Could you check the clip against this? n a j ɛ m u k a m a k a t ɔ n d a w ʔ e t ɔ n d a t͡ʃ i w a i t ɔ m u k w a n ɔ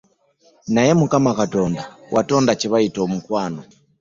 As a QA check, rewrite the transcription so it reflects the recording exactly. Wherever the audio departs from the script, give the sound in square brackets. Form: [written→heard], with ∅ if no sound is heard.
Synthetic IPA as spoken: n a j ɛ m u k a m a k a t ɔ n d a w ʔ [e→a] t ɔ n d a t͡ʃ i [w→β] a i t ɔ m u k w a n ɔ

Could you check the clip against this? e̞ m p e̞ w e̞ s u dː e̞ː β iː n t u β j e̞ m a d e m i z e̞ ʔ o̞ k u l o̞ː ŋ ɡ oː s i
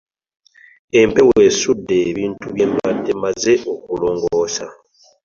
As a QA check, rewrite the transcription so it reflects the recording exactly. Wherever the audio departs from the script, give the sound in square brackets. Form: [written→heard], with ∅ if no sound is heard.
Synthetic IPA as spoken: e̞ m p e̞ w e̞ s u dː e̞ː β iː n t u β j e̞ m a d e m [i→a] z e̞ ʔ o̞ k u l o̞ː ŋ ɡ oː s [i→a]

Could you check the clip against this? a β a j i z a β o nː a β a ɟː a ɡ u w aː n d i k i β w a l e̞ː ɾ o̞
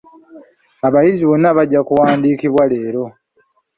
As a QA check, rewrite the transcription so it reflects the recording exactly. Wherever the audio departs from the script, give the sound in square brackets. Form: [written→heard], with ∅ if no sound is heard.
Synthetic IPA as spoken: a β a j i z [a→i] β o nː a β a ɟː a [ɡ→k] u w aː n d i k i β w a l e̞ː ɾ o̞

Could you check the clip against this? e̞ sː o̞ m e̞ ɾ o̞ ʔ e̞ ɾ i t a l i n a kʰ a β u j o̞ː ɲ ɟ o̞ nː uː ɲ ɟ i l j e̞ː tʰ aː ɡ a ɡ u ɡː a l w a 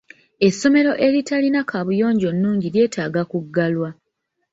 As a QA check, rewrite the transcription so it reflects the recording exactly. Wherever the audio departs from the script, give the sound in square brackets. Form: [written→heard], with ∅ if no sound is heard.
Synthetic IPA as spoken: e̞ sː o̞ m e̞ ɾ o̞ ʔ e̞ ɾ i t a l i n a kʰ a β u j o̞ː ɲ ɟ o̞ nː uː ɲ ɟ i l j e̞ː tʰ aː ɡ a [ɡ→k] u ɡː a l w a

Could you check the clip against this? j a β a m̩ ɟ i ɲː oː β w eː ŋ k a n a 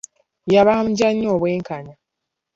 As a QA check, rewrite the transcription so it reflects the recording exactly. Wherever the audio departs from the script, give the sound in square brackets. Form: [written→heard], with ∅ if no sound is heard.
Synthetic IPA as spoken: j a β a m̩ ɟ [i→a] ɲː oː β w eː ŋ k a n a

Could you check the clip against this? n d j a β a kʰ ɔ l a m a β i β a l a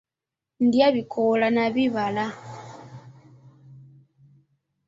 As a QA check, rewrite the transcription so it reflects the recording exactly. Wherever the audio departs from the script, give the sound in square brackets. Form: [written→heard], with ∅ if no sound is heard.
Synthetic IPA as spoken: n d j a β [a→i] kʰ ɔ l a [m→n] a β i β a l a

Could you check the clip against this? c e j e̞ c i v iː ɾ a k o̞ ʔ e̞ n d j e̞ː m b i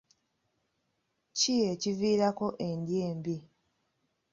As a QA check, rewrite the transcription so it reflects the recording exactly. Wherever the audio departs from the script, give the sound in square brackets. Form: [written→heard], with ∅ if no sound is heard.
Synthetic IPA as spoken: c [e→i] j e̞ c i v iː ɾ a k o̞ ʔ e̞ n d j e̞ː m b i

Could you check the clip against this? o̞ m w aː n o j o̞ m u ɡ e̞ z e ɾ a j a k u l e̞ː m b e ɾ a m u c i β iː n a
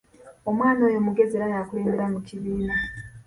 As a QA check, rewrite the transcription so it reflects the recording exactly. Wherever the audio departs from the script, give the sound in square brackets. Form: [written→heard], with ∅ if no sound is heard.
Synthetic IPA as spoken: o̞ m w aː n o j o̞ m u ɡ e̞ z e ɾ a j a k u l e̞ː m b e ɾ a m u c i β iː n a

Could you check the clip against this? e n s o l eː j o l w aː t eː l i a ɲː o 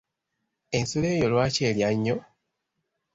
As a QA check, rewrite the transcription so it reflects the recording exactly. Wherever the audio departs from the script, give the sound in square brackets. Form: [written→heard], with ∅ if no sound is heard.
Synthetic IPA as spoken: e n s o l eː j o l w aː [t→c] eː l [i→j] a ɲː o

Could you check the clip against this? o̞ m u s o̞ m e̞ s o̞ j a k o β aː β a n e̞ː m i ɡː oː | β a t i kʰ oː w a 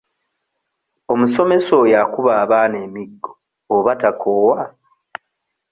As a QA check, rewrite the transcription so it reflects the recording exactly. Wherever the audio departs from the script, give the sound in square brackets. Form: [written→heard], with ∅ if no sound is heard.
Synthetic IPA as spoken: o̞ m u s o̞ m e̞ s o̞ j a k [o→u] β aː β a n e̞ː m i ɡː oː | β a t [i→a] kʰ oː w a

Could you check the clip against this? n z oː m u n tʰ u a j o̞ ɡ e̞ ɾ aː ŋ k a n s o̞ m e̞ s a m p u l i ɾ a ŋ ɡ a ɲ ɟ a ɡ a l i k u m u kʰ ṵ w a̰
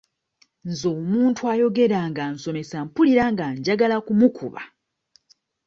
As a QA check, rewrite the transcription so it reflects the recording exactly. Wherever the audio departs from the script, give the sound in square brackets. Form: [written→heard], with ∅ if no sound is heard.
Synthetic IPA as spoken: n z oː m [u→uː] n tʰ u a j o̞ ɡ e̞ ɾ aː ŋ [k→ɡ] a n s o̞ m e̞ s a m p u l i ɾ a ŋ ɡ a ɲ ɟ a ɡ a l [i→a] k u m u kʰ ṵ [w→β] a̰

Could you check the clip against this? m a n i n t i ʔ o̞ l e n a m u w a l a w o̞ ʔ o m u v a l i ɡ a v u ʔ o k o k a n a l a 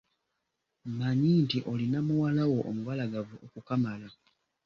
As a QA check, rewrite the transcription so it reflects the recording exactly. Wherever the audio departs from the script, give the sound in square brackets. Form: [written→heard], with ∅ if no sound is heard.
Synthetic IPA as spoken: m a [n→ɲ] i n t i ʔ o̞ l [e→i] n a m u w a l a w o̞ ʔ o m u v a l [i→a] ɡ a v u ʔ o k [o→u] k a [n→m] a l a

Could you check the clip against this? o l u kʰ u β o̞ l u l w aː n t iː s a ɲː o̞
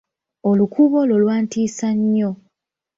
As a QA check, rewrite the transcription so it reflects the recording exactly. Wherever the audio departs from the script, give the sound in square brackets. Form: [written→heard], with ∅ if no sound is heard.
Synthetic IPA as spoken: o l u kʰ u β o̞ l [u→o] l w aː n t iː s a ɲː o̞

